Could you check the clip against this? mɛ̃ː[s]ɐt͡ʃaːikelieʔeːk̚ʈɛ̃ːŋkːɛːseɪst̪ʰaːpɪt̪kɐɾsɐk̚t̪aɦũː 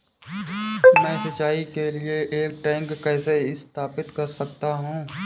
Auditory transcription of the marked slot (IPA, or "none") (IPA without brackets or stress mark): s